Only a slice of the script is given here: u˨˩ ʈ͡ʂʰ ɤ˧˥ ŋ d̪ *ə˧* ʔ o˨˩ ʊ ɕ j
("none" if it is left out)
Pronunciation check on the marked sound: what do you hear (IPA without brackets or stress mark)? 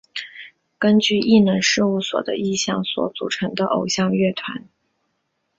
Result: ə˧